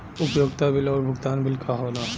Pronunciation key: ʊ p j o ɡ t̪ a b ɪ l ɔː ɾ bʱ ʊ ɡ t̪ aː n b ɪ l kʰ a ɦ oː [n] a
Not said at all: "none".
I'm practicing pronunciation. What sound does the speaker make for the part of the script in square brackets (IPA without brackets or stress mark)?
n